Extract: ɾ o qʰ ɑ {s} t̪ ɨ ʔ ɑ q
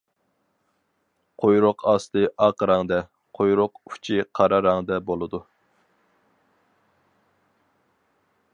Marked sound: correct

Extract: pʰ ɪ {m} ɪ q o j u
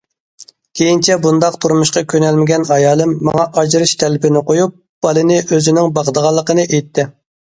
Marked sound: incorrect: n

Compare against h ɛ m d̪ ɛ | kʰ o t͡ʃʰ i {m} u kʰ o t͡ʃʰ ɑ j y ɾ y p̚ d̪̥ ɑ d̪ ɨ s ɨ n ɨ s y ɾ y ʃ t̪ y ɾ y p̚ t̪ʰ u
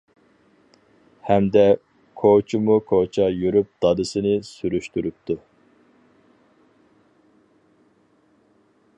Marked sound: correct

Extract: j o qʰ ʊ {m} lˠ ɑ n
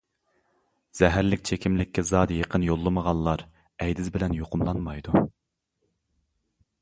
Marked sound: correct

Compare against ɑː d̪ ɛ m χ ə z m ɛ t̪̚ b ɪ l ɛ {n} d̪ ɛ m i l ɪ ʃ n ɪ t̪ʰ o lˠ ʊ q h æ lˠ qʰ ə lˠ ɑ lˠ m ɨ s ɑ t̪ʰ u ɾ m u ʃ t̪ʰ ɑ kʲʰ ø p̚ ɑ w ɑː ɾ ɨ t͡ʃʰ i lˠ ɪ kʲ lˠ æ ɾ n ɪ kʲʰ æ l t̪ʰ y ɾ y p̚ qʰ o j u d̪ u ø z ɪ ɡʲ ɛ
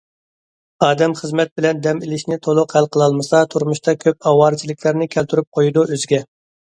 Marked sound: correct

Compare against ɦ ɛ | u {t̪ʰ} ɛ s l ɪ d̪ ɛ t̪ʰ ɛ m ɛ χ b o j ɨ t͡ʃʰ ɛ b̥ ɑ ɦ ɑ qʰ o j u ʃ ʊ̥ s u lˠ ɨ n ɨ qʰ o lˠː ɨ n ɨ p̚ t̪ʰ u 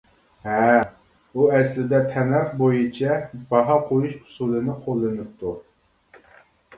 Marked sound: incorrect: none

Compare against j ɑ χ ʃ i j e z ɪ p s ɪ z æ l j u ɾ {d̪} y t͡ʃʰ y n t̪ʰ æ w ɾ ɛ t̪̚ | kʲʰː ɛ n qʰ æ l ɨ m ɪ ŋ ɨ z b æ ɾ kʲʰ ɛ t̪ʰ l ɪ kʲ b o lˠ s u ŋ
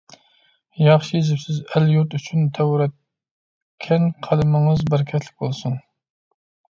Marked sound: incorrect: t̪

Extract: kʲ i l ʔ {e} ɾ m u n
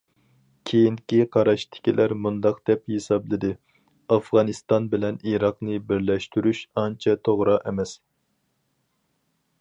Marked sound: incorrect: æ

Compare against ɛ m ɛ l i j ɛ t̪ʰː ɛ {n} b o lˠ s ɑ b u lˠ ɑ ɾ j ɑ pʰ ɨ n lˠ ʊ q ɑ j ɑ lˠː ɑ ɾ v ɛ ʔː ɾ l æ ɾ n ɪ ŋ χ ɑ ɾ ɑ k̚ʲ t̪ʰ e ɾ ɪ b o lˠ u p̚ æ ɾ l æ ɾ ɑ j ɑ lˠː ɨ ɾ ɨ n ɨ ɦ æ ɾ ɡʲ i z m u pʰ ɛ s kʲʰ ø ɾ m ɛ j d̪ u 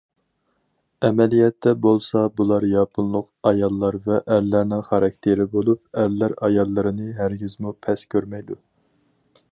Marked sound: incorrect: none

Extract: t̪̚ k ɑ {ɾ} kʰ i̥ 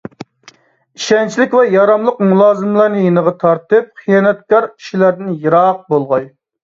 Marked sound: correct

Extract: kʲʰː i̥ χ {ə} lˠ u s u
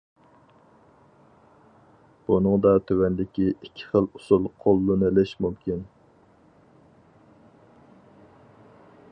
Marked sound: correct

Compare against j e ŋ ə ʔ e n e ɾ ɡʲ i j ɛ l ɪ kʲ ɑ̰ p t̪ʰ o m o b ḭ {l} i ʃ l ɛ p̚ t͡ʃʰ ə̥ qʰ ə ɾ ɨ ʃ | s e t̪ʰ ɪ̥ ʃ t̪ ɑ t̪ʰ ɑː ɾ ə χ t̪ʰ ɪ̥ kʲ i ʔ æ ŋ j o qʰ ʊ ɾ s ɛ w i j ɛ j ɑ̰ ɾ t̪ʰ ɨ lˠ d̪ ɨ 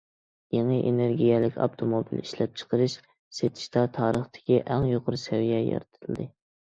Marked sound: correct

